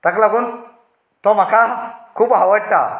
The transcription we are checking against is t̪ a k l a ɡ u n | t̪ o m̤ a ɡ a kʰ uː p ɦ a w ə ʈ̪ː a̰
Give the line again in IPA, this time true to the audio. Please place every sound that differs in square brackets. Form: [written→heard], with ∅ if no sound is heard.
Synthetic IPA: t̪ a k l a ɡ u n | t̪ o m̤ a [ɡ→k] a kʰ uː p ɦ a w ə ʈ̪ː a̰